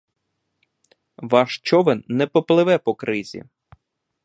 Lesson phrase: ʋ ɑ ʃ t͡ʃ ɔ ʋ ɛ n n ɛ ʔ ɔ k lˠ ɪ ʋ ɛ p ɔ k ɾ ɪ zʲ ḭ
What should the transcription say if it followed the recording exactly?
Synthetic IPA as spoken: ʋ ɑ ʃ t͡ʃ ɔ ʋ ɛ n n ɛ p ɔ p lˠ ɪ ʋ ɛ p ɔ k ɾ ɪ zʲ ḭ